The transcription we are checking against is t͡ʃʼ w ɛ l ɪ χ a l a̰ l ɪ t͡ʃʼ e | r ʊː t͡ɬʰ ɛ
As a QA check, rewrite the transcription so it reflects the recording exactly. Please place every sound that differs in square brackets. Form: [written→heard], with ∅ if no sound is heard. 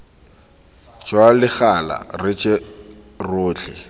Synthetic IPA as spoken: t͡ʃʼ w [ɛ→a] l ɪ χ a l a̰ [l→r] ɪ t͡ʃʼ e | r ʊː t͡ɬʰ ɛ

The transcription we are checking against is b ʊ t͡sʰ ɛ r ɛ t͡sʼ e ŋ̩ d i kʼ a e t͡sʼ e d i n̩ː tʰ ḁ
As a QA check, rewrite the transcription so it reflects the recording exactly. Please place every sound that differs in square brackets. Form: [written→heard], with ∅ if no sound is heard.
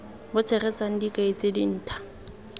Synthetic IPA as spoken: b ʊ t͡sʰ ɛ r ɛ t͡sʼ [e→a] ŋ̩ d i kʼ a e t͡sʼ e d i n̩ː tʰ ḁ

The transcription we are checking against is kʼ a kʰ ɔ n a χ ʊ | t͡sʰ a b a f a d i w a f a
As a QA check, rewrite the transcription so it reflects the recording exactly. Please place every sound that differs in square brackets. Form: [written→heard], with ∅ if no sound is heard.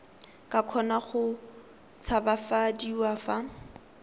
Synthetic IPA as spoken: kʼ a kʰ ɔ n a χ ʊ | t͡sʰ a b a f a d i w a f a

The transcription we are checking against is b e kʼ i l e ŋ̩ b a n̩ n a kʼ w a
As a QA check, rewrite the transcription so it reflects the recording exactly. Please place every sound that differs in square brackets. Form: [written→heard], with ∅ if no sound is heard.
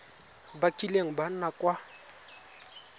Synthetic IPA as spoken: b [e→a] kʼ i l e ŋ̩ b a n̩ n a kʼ w a

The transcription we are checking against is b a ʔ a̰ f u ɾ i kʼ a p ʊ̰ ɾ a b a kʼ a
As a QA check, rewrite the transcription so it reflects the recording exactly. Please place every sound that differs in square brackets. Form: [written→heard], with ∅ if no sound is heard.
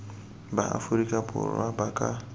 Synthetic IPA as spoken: b a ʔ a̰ f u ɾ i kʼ a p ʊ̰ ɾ a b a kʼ a

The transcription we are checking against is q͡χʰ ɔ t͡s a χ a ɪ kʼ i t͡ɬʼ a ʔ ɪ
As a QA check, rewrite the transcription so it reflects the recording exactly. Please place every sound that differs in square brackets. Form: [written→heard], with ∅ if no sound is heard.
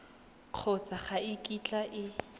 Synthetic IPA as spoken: q͡χʰ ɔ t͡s a χ a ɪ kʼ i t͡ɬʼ a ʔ ɪ

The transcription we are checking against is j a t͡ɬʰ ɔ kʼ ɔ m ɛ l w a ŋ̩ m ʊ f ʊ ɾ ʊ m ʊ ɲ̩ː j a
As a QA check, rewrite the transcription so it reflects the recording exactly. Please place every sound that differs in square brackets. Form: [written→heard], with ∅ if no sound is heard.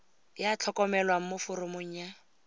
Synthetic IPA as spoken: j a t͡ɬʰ ɔ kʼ ɔ m ɛ l w a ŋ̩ m ʊ f ʊ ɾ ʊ m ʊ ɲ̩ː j a

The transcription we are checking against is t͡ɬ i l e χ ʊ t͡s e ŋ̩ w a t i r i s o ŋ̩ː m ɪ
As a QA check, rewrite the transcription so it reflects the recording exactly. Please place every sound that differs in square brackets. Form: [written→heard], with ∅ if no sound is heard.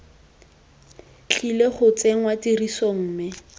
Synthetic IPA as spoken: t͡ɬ i l e χ ʊ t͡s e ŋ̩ w a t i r i s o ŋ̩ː m ɪ

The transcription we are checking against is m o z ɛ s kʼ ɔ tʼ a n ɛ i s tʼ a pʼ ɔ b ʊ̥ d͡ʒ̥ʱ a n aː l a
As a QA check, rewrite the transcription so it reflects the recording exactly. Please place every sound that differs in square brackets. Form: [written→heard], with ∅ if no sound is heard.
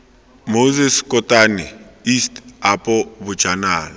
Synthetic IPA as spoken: m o z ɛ s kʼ ɔ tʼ a n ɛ i s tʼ a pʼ ɔ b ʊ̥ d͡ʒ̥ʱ a n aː l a

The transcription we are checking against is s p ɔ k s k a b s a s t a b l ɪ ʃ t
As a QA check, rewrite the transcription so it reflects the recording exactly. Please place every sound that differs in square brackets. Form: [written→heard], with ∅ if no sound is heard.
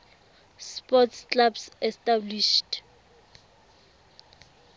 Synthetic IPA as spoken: s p ɔ [k→t] s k a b s [a→ɛ] s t a b l [ɪ→i] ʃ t

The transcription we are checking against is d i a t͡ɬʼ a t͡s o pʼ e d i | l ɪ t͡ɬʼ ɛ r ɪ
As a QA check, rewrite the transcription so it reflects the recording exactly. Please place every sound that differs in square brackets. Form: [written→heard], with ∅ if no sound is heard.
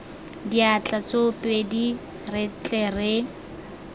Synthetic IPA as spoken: d i a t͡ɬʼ a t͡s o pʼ e d i | [l→r] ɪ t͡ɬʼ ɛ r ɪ

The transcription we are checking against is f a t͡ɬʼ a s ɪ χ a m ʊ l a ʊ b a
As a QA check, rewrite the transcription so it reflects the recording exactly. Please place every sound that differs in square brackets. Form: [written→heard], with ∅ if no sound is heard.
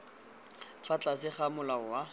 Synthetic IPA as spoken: f a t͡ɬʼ a s ɪ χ a m ʊ l a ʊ [b→w] a

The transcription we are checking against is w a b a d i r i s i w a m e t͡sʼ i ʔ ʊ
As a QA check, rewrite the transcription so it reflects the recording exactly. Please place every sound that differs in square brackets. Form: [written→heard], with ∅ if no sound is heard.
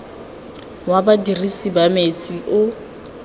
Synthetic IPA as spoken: w a b a d i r i s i [w→b] a m e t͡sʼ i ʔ ʊ

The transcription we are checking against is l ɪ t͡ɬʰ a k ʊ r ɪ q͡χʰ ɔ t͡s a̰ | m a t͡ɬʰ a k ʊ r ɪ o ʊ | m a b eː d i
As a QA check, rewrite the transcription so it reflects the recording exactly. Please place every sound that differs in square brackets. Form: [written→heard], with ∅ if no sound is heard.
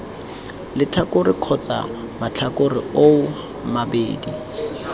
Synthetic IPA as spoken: l ɪ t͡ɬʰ a k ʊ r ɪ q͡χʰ ɔ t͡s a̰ | m a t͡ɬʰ a k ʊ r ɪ o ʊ | m a b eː d i

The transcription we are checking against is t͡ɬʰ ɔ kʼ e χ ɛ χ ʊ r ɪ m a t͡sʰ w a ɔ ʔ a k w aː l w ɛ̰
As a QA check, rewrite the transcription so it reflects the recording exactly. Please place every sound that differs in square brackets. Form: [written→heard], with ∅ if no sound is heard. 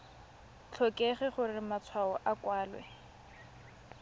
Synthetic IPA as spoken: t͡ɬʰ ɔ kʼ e χ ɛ χ ʊ r ɪ m a t͡sʰ w a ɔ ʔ a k w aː l w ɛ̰

